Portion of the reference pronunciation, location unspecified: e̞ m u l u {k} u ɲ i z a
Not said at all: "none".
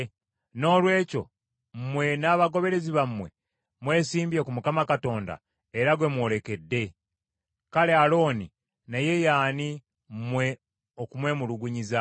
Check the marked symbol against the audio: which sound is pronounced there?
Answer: ɡ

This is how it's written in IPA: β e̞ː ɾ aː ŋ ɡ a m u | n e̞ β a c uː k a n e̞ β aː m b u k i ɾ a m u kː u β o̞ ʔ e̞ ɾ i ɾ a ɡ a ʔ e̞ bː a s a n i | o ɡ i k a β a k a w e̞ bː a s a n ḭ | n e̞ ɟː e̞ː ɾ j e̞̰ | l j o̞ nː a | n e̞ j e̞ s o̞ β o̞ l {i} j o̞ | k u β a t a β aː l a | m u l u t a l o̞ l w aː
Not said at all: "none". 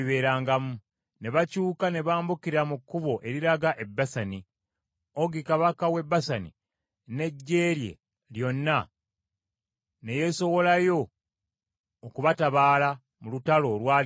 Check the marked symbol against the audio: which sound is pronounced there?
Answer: a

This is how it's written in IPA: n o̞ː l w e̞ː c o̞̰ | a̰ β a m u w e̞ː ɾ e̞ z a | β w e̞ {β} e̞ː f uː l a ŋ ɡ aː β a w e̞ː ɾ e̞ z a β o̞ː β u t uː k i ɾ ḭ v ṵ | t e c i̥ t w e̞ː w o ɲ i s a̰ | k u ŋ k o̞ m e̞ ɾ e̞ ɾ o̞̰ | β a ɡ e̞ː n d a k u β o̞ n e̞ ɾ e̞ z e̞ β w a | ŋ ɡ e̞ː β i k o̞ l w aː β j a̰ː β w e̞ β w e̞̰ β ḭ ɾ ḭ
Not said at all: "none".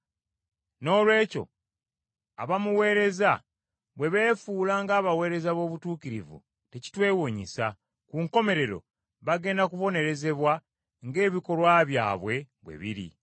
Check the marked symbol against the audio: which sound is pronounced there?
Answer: β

